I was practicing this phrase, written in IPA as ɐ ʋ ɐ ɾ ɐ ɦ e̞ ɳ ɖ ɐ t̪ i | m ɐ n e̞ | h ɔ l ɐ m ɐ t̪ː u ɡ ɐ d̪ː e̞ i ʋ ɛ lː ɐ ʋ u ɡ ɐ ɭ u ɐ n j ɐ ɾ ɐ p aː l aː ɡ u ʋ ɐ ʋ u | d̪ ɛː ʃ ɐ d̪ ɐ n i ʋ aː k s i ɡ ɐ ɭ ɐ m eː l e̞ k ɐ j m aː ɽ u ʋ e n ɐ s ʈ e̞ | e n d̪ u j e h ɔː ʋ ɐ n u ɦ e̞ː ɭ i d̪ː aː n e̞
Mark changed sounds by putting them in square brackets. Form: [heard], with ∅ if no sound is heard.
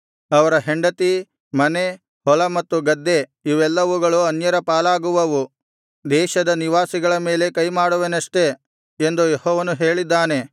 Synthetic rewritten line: ɐ ʋ ɐ ɾ ɐ ɦ e̞ ɳ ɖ ɐ t̪ i | m ɐ n e̞ | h ɔ l ɐ m ɐ t̪ː u ɡ ɐ d̪ː e̞ i ʋ ɛ lː ɐ ʋ u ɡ ɐ ɭ u ɐ n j ɐ ɾ ɐ p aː l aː ɡ u ʋ ɐ ʋ u | d̪ ɛː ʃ ɐ d̪ ɐ n i ʋ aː [∅] s i ɡ ɐ ɭ ɐ m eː l e̞ k ɐ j m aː ɽ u ʋ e n ɐ [ʂ] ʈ e̞ | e n d̪ u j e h ɔː ʋ ɐ n u ɦ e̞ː ɭ i d̪ː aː n e̞